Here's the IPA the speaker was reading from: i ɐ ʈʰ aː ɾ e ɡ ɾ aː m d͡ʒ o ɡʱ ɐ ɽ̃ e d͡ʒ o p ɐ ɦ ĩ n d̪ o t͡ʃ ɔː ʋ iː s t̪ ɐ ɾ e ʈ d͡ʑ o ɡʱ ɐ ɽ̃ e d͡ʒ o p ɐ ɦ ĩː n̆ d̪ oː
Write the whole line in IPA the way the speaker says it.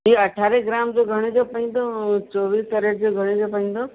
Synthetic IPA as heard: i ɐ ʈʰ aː ɾ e ɡ ɾ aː m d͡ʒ o ɡʱ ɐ ɽ̃ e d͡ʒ o p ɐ ɦ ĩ n d̪ o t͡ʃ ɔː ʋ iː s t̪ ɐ ɾ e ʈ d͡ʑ o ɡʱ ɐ ɽ̃ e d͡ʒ o p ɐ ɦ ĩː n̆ d̪ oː

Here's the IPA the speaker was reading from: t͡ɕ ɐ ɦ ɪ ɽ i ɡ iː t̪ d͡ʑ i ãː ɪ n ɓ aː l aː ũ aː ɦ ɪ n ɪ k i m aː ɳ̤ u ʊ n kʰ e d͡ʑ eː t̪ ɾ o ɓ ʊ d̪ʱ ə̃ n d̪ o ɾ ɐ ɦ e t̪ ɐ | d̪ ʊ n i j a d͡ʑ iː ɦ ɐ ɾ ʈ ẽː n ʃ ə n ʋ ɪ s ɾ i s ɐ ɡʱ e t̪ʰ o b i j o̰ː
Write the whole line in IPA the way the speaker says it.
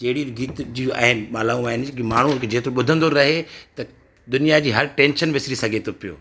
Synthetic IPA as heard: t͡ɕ ɐ ɦ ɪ ɽ i ɡ iː t̪ d͡ʑ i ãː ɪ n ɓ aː l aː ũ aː ɦ ɪ n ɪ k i m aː ɳ̤ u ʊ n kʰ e d͡ʑ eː t̪ ɾ o ɓ ʊ d̪ʱ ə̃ n d̪ o ɾ ɐ ɦ e t̪ ɐ | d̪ ʊ n i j a d͡ʑ iː ɦ ɐ ɾ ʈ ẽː n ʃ ə n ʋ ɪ s ɾ i s ɐ ɡʱ e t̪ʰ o p i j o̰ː

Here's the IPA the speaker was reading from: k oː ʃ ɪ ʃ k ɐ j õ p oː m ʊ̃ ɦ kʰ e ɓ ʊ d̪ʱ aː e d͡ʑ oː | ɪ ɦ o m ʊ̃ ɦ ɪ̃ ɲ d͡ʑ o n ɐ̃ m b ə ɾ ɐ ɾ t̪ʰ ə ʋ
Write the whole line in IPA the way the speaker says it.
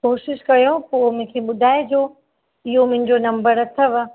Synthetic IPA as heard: k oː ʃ ɪ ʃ k ɐ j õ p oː m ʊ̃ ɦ kʰ e ɓ ʊ d̪ʱ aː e d͡ʑ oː | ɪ ɦ o m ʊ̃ ɦ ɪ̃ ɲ d͡ʑ o n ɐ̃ m b ə ɾ ɐ t̪ʰ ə ʋ

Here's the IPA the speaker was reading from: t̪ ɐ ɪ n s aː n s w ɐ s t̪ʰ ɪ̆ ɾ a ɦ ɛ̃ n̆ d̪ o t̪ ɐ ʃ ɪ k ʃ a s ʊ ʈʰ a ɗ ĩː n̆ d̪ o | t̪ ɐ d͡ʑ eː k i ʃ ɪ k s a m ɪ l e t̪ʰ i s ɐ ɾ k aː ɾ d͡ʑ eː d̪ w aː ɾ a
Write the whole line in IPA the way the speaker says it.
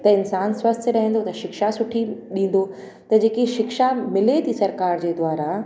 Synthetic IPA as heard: t̪ ɐ ɪ n s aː n s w ɐ s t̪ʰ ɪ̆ ɾ ɐ ɦ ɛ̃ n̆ d̪ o t̪ ɐ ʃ ɪ k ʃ a s ʊ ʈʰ i ɗ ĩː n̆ d̪ o | t̪ ɐ d͡ʑ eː k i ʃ ɪ k ʃ a m ɪ l e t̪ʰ i s ɐ ɾ k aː ɾ d͡ʑ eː d̪ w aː ɾ a

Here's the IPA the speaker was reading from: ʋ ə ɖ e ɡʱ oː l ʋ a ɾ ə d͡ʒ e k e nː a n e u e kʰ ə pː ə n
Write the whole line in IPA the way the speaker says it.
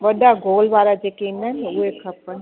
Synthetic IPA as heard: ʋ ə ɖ a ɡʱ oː l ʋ a ɾ a d͡ʒ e k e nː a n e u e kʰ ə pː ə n

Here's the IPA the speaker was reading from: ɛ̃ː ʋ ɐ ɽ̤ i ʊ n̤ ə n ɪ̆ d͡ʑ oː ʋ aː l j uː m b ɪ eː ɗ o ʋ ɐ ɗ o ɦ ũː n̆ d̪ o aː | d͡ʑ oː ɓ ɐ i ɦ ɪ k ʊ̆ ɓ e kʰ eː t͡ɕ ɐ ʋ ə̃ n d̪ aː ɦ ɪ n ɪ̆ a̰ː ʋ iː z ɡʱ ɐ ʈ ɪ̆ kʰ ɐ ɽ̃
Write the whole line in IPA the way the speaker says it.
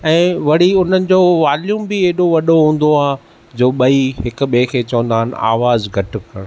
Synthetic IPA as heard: ɛ̃ː ʋ ɐ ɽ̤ i ʊ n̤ ə n ɪ̆ d͡ʑ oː ʋ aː l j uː m b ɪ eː ɗ o ʋ ɐ ɗ o ɦ ũː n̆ d̪ o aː | d͡ʑ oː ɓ ɐ i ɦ ɪ k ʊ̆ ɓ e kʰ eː t͡ɕ ɐ ʋ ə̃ n d̪ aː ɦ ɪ n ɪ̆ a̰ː ʋ aː z ɡʱ ɐ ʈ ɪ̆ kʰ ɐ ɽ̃

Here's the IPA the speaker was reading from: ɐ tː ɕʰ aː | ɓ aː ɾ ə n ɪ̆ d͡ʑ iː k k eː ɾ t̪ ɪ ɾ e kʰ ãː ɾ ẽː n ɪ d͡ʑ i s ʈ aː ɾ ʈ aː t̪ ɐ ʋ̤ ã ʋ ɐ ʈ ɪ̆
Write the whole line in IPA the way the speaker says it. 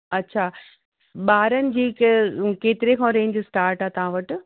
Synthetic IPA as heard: ɐ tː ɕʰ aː | ɓ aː ɾ ə n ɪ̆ d͡ʑ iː k k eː t̪ ɪ ɾ e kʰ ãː ɾ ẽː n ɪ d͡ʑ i s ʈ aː ɾ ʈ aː t̪ ɐ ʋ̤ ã ʋ ɐ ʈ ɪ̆

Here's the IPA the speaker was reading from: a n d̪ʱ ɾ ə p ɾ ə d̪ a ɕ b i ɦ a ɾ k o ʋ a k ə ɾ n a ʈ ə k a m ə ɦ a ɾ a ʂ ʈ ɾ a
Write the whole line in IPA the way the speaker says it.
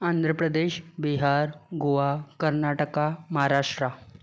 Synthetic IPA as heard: a n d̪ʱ ɾ ə p ɾ ə d̪ e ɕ b i ɦ a ɾ ɡ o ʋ a k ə ɾ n a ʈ ə k a m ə ɦ a ɾ a ʂ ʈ ɾ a

